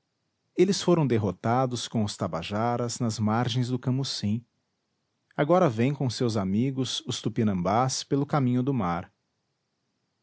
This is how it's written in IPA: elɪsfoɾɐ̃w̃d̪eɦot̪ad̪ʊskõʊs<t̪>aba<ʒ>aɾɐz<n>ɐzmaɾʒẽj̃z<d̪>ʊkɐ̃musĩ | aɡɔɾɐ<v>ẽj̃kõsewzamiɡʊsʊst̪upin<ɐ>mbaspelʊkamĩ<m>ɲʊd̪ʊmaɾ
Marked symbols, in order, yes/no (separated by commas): yes, yes, yes, yes, yes, no, no